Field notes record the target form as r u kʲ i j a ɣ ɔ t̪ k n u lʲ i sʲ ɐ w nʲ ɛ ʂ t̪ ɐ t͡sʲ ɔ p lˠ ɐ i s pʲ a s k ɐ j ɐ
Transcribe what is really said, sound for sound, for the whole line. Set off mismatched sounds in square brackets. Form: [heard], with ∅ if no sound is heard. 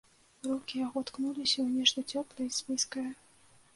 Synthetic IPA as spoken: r u kʲ i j a ɣ ɔ t̪ k n u lʲ i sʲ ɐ w nʲ ɛ ʂ t̪ ɐ t͡sʲ ɔ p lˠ ɐ i s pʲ [i] s k ɐ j ɐ